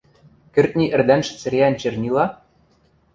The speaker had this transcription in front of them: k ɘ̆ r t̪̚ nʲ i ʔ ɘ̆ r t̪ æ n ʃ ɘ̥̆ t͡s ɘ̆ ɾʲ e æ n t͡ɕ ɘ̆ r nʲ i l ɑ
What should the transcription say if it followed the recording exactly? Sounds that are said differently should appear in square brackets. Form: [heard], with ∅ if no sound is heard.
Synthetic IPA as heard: k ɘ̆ r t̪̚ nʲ i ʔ ɘ̆ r [d̪] æ n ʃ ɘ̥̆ t͡s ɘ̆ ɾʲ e æ n t͡ɕ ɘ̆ r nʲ i l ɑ